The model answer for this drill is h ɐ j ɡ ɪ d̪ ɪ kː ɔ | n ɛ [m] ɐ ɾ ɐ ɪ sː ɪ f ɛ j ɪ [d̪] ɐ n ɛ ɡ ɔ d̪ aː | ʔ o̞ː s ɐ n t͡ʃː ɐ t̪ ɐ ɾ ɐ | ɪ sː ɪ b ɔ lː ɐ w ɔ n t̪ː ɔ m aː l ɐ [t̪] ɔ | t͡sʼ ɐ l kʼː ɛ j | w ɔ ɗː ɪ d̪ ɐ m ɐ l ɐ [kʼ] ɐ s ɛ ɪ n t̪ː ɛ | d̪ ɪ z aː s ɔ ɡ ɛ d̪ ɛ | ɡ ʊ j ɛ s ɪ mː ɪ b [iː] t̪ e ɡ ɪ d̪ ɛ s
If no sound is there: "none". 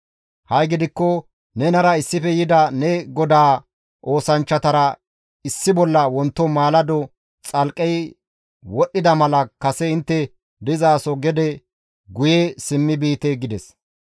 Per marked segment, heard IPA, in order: n, d̪, d̪, k, iː

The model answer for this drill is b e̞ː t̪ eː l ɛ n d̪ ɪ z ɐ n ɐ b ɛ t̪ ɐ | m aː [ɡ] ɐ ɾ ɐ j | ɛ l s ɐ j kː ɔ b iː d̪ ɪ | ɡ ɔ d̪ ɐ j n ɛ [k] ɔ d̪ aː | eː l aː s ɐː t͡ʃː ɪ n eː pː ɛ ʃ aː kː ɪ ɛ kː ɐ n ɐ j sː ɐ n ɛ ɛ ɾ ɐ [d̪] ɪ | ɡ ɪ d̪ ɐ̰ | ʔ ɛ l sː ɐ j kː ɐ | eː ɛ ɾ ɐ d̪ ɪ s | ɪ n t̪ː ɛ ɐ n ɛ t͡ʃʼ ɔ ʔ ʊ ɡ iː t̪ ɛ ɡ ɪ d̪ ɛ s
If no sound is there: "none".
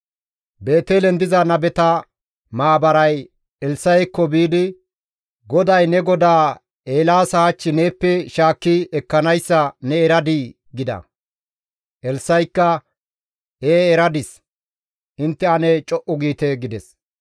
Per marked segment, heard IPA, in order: b, ɡ, d̪

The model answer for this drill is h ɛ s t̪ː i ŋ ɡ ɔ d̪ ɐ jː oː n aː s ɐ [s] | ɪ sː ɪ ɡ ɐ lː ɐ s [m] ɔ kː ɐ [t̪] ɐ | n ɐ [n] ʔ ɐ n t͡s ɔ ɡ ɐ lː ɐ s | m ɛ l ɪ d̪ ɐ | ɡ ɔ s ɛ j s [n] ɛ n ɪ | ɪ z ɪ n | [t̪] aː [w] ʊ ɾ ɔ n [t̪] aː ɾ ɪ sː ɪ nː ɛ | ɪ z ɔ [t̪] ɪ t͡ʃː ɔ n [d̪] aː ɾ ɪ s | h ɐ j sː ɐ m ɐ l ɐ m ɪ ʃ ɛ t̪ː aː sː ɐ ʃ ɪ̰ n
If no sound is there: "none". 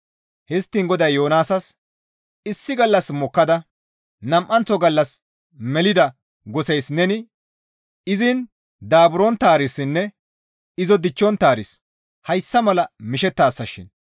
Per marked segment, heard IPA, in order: s, m, d̪, m, n, d̪, b, t̪, d̪, t̪

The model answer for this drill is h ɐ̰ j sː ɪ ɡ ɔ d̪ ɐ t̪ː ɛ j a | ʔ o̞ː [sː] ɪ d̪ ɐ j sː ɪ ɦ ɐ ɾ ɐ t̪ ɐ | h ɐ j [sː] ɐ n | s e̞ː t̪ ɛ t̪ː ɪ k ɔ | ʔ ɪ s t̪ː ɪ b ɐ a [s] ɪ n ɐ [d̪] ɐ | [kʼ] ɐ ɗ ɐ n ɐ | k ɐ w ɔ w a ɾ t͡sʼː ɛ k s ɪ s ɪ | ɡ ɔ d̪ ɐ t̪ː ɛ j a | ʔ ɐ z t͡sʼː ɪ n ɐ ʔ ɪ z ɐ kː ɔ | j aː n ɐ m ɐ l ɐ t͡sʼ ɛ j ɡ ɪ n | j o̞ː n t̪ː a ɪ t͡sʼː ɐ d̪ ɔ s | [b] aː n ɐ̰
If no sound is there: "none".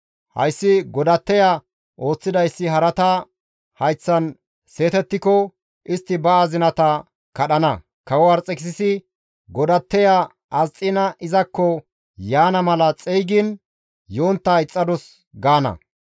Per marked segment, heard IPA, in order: t͡sː, t͡sː, z, t̪, k, ɡ

